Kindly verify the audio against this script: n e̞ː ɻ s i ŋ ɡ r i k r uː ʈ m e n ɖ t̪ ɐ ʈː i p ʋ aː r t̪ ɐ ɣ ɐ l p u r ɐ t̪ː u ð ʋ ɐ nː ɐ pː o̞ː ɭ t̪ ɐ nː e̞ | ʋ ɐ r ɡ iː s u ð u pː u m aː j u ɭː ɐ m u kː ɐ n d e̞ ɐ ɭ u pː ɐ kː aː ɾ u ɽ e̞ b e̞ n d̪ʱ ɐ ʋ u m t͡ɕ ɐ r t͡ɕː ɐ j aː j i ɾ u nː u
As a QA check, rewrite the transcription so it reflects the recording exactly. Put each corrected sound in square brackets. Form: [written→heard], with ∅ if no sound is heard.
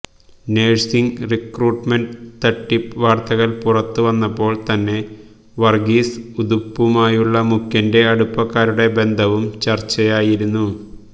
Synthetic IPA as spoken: n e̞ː ɻ s i ŋ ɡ r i k r uː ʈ m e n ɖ t̪ ɐ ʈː i p ʋ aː r t̪ ɐ ɣ ɐ l p u r ɐ t̪ː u [ð→∅] ʋ ɐ nː ɐ pː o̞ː ɭ t̪ ɐ nː e̞ | ʋ ɐ r ɡ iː s u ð u pː u m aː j u ɭː ɐ m u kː ɐ n d e̞ ɐ [ɭ→ɽ] u pː ɐ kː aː ɾ u ɽ e̞ b e̞ n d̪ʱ ɐ ʋ u m t͡ɕ ɐ r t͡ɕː ɐ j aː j i ɾ u nː u